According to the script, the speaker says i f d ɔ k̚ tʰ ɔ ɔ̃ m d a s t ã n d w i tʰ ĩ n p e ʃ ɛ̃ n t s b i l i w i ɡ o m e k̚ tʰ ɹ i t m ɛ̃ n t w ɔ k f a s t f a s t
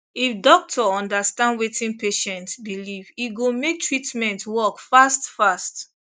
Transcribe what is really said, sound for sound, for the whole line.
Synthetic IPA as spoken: i f d ɔ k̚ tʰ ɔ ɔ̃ n d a s t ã n d w e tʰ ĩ n p e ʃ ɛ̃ n t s b i l i v i ɡ o m e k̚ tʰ ɹ i t m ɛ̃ n t w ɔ k f a s t f a s t